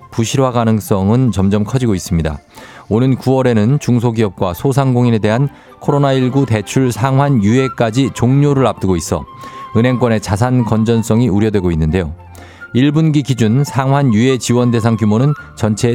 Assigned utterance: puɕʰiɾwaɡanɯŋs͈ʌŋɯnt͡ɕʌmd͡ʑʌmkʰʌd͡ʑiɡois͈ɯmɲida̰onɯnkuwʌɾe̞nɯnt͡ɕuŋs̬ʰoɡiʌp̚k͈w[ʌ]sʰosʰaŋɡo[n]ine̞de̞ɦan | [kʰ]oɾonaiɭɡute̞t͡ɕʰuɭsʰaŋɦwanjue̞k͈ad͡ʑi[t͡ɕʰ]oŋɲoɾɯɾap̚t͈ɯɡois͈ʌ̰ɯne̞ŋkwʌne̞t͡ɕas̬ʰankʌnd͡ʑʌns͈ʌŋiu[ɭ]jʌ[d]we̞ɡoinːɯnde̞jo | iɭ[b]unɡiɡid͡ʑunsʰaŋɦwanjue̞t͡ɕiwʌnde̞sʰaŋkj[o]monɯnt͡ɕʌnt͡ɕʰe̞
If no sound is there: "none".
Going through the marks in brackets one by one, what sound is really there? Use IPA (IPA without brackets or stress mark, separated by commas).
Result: a, ŋ, kʰ, t͡ɕ, ɾ, d, b, u